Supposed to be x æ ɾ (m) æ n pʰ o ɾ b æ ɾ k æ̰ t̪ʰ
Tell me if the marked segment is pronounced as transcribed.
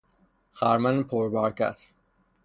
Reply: yes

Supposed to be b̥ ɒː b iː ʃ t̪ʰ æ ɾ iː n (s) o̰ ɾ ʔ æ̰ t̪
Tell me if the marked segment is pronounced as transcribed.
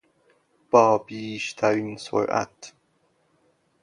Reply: yes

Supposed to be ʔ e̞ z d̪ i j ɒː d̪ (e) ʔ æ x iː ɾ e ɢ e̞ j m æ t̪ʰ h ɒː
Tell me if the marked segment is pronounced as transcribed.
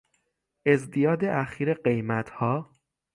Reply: yes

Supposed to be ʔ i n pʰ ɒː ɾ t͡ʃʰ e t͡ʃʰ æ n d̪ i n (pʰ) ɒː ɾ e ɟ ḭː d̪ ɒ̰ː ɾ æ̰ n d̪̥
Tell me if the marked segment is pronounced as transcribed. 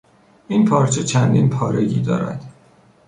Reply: yes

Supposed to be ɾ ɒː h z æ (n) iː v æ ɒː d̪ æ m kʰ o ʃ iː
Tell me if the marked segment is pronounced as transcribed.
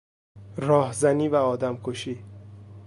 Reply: yes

